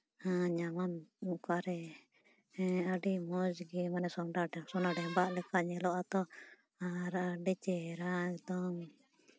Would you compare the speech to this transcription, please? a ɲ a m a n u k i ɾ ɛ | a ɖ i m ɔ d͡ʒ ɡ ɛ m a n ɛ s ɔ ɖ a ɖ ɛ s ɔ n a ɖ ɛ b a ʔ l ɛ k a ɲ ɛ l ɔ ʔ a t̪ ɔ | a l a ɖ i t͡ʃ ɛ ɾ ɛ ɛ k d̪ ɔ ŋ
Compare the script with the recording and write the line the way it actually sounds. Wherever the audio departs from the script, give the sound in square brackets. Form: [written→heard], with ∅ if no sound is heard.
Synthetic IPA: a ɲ a m a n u k [i→a] ɾ ɛ | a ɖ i m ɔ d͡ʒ ɡ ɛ m a n ɛ s ɔ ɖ a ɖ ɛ s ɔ n a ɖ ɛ b a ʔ l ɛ k a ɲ ɛ l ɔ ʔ a t̪ ɔ | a [l→ɾ] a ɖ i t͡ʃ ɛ ɾ [ɛ→a] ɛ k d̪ ɔ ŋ